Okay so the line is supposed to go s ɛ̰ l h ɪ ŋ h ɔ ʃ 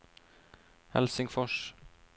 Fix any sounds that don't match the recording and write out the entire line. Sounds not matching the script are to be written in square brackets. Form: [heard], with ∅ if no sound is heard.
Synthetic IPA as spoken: [h] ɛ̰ l [s] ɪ ŋ [f] ɔ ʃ